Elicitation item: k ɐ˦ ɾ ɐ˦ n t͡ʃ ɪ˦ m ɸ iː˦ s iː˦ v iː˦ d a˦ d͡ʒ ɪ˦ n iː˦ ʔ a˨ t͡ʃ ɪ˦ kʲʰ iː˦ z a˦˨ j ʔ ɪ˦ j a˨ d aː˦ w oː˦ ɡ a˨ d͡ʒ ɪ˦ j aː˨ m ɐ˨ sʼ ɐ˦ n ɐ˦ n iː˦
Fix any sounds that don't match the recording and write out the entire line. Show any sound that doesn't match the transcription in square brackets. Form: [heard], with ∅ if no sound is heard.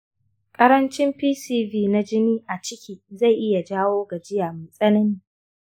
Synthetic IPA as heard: [kʼ] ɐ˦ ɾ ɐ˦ n t͡ʃ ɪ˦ m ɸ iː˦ s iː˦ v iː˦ [n] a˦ d͡ʒ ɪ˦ n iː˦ ʔ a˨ t͡ʃ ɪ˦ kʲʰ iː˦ z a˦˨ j ʔ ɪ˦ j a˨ [d͡ʒ] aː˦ w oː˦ ɡ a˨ d͡ʒ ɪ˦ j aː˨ m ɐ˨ sʼ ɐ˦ n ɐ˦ n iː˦